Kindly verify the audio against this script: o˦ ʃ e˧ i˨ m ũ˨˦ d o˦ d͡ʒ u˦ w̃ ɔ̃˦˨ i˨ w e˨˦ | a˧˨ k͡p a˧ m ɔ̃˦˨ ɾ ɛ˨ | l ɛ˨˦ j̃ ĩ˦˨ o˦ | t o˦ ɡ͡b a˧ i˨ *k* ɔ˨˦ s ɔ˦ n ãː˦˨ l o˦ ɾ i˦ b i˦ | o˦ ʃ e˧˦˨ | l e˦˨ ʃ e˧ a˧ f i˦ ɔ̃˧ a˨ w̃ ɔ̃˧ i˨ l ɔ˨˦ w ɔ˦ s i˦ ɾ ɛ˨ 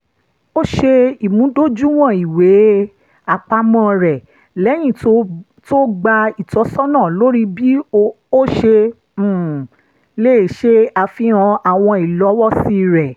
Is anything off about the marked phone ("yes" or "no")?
yes